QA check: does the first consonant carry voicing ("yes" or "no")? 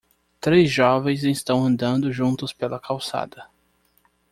no